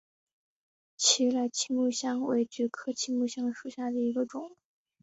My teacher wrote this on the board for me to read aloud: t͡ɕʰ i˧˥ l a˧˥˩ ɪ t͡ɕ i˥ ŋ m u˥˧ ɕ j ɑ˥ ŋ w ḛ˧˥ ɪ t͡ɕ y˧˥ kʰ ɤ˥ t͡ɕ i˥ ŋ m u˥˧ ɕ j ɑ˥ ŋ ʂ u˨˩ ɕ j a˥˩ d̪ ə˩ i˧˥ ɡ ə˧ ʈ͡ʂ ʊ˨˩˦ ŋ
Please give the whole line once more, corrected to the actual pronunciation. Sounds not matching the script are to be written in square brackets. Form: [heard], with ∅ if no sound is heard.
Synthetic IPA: t͡ɕʰ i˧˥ l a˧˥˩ ɪ [t͡ɕʰ] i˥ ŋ m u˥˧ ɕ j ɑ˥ ŋ w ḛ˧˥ ɪ t͡ɕ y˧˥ kʰ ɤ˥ [t͡ɕʰ] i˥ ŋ m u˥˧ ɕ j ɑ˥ ŋ ʂ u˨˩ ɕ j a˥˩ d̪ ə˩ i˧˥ ɡ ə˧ ʈ͡ʂ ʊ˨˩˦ ŋ